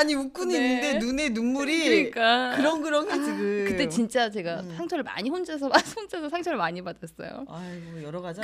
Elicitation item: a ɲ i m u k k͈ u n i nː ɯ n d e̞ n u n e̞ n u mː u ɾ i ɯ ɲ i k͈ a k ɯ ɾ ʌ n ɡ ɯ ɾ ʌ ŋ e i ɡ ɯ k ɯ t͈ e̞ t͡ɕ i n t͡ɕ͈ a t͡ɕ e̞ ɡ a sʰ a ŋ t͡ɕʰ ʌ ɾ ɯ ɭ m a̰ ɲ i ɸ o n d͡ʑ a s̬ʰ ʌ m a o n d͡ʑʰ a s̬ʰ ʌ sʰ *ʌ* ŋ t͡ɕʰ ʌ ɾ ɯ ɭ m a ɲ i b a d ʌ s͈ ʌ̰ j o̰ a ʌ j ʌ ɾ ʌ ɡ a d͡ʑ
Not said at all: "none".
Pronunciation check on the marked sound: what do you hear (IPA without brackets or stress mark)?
a